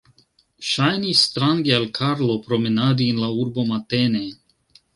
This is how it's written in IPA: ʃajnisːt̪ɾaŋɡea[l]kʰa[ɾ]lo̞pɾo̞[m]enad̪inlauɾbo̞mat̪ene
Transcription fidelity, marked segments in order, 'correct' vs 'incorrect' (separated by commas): correct, correct, correct